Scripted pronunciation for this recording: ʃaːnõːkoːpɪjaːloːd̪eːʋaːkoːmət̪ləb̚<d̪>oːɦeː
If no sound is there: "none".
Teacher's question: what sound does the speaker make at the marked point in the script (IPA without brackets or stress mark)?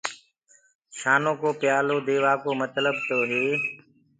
t̪